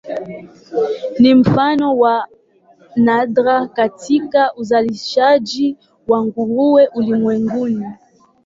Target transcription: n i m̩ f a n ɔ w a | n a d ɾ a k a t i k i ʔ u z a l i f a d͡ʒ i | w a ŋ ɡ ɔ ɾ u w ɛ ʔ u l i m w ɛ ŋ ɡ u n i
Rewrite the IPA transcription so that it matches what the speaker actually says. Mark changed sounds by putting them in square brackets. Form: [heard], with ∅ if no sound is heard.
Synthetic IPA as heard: n i m̩ f a n ɔ w a | n a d ɾ a k a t i k [a] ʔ u z a l i [ʃ] a d͡ʒ i | w a ŋ ɡ [u] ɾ u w ɛ ʔ u l i m w ɛ ŋ ɡ u n i